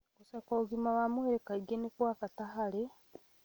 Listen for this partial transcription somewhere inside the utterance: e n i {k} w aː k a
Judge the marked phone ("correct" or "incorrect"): correct